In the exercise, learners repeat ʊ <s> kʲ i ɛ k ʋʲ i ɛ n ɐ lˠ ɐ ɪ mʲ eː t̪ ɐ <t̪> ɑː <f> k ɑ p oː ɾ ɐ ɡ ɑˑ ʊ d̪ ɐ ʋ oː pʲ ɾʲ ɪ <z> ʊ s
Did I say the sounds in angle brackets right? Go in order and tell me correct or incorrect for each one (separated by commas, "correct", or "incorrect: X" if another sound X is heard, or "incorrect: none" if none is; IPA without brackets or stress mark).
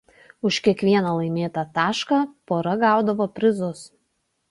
incorrect: ʃ, correct, incorrect: ʃ, correct